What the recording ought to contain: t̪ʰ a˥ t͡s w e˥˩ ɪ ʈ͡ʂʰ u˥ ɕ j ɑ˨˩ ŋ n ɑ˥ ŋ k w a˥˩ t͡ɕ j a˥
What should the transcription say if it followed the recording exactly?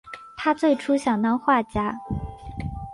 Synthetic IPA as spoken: t̪ʰ a˥ t͡s w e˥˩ ɪ ʈ͡ʂʰ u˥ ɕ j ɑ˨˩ ŋ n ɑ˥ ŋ x w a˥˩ t͡ɕ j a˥